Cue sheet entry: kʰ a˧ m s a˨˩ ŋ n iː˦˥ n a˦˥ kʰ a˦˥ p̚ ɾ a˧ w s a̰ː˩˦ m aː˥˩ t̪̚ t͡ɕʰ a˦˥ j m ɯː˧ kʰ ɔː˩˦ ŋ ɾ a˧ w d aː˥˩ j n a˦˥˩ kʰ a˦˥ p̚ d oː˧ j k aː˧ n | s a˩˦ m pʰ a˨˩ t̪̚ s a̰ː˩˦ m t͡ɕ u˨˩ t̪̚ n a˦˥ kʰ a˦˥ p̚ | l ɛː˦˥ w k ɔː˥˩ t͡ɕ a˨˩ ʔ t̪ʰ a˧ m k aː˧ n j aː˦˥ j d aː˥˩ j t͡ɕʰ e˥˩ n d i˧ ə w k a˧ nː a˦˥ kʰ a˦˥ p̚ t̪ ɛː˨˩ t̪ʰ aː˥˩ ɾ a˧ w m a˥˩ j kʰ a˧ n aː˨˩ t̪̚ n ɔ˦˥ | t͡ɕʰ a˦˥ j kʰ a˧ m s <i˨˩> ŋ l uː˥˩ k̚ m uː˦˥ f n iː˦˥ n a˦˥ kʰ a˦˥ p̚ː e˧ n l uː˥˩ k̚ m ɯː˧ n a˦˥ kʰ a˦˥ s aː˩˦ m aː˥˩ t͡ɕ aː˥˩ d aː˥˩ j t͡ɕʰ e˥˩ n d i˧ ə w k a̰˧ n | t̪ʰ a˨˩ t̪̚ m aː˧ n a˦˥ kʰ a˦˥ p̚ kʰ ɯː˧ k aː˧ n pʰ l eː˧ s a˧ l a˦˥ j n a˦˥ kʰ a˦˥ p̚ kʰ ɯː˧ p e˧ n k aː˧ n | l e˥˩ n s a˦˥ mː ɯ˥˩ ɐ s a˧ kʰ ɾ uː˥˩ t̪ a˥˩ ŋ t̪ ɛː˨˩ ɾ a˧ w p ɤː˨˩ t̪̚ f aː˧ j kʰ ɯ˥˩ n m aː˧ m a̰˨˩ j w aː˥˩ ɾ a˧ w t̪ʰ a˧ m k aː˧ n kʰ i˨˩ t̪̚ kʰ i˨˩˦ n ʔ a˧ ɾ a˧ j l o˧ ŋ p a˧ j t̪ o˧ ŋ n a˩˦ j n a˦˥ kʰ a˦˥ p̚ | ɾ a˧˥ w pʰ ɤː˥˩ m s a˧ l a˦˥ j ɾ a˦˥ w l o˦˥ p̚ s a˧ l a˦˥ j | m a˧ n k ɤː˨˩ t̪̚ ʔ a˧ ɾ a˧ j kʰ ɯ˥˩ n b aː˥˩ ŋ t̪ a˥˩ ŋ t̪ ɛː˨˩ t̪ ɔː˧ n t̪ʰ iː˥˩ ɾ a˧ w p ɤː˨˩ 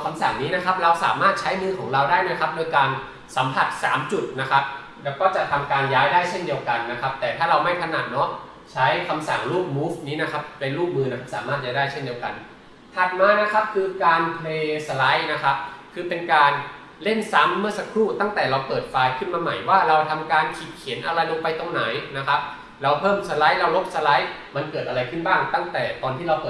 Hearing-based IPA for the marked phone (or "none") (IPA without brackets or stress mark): a˨˩